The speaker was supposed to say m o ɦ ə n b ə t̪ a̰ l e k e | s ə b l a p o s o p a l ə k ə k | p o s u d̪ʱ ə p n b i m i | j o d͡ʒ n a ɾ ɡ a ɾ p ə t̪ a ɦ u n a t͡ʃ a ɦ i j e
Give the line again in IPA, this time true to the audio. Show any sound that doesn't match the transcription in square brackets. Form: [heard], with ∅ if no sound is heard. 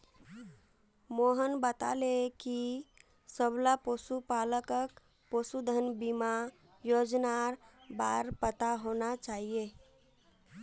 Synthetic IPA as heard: m o ɦ ə n b ə t̪ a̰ l e k [i] | s ə b l a p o s [u] p a l ə k ə k | p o s u d̪ʱ ə [∅] n b i m [a] | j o d͡ʒ n a ɾ [b] a ɾ p ə t̪ a ɦ [o] n a t͡ʃ a ɦ i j e